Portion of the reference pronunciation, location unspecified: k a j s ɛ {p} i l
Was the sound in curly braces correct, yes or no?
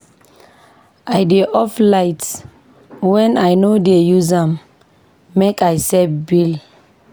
no